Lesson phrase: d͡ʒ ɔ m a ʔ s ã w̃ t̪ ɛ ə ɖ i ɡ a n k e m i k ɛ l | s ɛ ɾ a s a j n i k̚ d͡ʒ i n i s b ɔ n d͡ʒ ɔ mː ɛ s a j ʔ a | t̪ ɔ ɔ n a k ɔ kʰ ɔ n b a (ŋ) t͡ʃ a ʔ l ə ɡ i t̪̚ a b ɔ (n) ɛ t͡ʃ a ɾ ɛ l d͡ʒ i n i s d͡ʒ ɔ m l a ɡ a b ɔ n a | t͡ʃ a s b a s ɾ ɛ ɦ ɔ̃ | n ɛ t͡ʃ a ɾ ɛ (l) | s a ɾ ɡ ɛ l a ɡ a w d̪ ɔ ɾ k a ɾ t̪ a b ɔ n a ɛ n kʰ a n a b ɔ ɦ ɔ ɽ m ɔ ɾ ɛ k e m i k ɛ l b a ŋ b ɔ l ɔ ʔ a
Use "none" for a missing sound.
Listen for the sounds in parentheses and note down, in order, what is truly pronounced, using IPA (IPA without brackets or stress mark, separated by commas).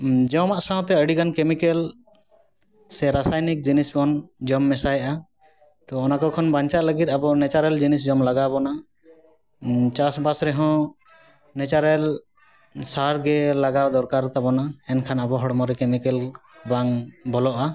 ɲ, n, l